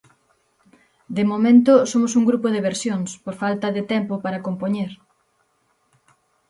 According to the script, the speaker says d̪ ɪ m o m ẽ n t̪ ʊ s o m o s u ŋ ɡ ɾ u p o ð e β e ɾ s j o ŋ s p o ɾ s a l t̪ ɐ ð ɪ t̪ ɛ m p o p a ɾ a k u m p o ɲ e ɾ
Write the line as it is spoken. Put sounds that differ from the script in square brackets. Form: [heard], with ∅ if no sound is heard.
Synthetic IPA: d̪ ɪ m o m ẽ n t̪ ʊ s o m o s u ŋ ɡ ɾ u p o ð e β e ɾ s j o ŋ s p o ɾ [f] a l t̪ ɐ ð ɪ t̪ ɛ m p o p a ɾ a k [o] m p o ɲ e ɾ

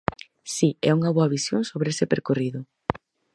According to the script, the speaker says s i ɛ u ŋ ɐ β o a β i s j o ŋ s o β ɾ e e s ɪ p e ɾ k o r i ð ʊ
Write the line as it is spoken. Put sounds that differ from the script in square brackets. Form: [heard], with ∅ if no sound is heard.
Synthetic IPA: s i ɛ u ŋ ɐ β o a β i s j o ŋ s o β ɾ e e s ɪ p e ɾ k o r i ð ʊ

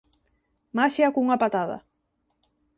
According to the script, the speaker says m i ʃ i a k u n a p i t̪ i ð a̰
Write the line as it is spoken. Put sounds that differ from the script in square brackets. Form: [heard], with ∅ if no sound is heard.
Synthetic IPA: m [a] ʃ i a k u [ŋ] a p [a] t̪ [a] ð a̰

